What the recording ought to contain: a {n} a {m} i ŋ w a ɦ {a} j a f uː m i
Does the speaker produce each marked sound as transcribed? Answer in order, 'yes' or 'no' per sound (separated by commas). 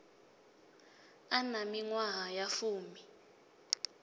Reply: yes, yes, yes